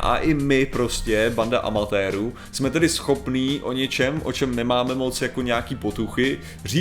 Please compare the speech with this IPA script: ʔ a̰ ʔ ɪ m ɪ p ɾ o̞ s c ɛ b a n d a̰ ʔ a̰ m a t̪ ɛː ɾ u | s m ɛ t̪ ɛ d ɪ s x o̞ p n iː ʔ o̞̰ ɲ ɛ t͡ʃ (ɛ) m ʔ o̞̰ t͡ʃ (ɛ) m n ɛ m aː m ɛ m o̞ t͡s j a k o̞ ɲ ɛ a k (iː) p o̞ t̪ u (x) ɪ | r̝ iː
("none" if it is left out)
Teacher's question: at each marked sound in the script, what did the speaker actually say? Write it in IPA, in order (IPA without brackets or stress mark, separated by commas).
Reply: ɛ, ɛ, iː, x